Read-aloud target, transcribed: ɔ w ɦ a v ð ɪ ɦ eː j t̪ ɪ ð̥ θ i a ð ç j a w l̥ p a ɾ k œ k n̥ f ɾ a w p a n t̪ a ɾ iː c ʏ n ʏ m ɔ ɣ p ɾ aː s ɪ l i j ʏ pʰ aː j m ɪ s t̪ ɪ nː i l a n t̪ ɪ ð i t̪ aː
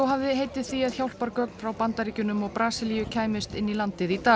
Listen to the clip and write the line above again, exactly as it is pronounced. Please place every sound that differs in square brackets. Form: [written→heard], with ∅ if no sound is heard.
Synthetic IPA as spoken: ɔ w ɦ a v ð ɪ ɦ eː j t̪ ɪ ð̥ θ i a ð ç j a w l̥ p a ɾ k œ k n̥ f ɾ a w p a n t̪ a ɾ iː c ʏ n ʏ m ɔ ɣ p ɾ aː s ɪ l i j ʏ [pʰ→cʰ] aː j m ɪ s t̪ ɪ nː i l a n t̪ ɪ ð i t̪ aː

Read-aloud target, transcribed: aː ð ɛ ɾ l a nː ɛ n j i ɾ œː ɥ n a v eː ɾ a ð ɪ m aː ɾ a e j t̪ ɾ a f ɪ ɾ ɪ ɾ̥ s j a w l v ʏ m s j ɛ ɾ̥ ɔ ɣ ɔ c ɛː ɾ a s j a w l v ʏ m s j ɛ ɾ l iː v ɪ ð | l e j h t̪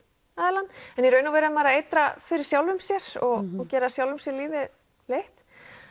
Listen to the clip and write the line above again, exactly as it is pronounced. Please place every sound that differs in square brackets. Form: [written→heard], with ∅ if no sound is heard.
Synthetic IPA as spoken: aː ð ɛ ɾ l a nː ɛ n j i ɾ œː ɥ n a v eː ɾ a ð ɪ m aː ɾ a e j t̪ ɾ a f ɪ ɾ ɪ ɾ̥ s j a w l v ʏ m s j ɛ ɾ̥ ɔ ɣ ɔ c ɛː ɾ a s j a w l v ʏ m s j ɛ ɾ l iː v ɪ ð | l e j h t̪

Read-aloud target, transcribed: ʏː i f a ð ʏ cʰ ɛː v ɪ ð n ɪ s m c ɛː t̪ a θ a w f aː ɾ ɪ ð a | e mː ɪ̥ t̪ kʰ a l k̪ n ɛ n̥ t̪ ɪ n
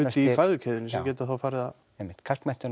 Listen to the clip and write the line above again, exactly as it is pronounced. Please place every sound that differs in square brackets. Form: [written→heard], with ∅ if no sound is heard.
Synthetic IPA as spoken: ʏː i f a ð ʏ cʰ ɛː [v→ð] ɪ [ð→∅] n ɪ s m c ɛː t̪ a θ a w f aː ɾ ɪ ð a | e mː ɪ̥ t̪ kʰ a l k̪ [n→m] ɛ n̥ t̪ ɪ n

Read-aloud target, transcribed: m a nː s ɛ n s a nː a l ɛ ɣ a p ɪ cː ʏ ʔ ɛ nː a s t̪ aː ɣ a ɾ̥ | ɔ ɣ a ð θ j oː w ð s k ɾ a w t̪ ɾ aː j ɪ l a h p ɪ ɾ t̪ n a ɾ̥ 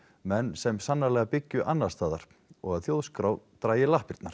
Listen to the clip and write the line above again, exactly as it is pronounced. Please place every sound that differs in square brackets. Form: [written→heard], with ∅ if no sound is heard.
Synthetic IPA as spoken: m [a→ɛ] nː s ɛ [n→m] s a nː a l ɛ ɣ a p ɪ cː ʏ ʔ [ɛ→a] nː a s t̪ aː [ɣ→ð] a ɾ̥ | ɔ ɣ a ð θ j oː w ð s k ɾ a w t̪ ɾ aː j ɪ l a h p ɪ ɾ t̪ n a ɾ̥

